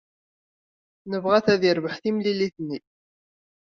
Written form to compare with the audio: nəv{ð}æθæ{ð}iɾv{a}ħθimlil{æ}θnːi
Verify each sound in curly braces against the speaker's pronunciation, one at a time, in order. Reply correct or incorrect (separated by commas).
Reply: incorrect, correct, incorrect, incorrect